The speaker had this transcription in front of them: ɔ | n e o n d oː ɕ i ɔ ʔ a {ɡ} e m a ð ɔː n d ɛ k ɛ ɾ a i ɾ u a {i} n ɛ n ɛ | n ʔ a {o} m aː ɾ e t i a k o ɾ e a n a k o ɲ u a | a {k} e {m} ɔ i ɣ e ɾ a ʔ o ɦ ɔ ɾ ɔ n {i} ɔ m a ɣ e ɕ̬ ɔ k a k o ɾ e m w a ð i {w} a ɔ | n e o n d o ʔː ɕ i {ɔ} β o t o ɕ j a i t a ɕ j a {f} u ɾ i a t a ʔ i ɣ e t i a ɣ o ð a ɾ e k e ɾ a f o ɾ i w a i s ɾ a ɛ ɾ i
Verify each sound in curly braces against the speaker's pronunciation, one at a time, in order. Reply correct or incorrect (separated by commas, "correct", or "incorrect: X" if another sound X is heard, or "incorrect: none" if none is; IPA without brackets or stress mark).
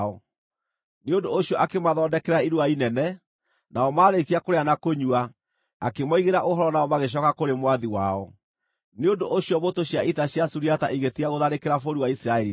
incorrect: k, correct, incorrect: ɔ, correct, correct, incorrect: a, correct, correct, incorrect: s